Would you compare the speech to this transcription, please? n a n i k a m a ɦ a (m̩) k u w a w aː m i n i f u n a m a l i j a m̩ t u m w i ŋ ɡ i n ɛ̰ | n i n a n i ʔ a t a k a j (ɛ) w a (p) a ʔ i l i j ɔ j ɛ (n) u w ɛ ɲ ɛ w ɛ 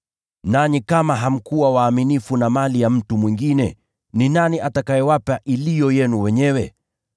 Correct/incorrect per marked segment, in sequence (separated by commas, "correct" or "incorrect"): correct, correct, correct, correct